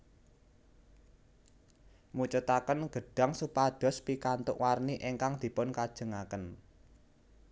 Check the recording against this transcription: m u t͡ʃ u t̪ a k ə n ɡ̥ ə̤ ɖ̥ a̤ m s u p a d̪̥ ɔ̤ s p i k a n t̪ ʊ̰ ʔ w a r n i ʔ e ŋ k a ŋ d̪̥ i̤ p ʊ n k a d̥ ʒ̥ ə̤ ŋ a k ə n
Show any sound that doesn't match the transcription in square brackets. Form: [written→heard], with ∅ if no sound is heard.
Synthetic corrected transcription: m u t͡ʃ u t̪ a k ə n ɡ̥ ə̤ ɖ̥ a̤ [m→ŋ] s u p a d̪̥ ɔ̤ s p i k a n t̪ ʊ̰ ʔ w a r n i ʔ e ŋ k a ŋ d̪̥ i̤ p ʊ n k a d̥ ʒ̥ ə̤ ŋ a k ə n